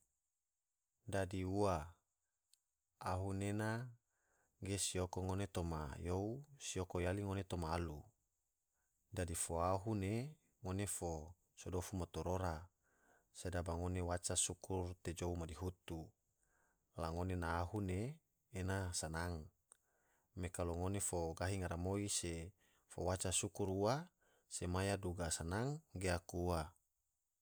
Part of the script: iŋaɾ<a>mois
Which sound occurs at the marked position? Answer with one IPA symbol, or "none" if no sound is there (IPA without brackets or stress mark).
a